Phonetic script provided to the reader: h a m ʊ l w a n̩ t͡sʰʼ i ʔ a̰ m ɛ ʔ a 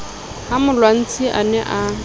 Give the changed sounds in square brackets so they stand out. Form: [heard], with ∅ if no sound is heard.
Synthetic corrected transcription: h a m ʊ l w a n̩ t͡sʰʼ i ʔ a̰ [n] ɛ ʔ a

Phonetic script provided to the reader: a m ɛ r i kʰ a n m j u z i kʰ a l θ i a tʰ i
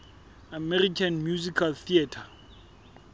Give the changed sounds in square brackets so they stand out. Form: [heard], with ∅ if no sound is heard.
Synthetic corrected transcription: a m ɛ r i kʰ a n m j u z i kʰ a l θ i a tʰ [a]

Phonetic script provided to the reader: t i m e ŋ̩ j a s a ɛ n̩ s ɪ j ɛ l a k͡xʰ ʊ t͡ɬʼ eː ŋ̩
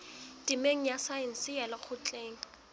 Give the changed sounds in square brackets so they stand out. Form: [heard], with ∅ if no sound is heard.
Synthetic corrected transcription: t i m e ŋ̩ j a s a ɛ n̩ s ɪ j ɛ l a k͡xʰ ʊ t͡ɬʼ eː ŋ̩

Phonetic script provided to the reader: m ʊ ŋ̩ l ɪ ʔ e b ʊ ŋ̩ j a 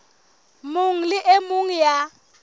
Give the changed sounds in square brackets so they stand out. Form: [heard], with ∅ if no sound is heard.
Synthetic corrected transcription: m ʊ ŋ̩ l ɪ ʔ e [m] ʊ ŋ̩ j a

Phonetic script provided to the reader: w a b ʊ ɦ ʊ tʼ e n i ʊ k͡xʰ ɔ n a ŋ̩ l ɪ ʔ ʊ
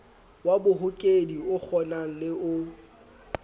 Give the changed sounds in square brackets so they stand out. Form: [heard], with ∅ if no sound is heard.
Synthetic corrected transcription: w a b ʊ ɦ ʊ [kʼ] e [d] i ʊ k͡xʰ ɔ n a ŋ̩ l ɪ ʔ ʊ

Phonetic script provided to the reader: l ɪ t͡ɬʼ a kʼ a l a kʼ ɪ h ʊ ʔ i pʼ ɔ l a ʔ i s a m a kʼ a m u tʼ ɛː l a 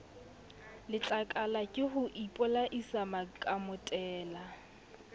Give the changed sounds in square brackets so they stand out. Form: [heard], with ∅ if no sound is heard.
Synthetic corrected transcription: l ɪ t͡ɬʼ a kʼ a l a kʼ ɪ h ʊ ʔ i pʼ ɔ l a ʔ i s a m a kʼ a m [ʊ] tʼ ɛː l a

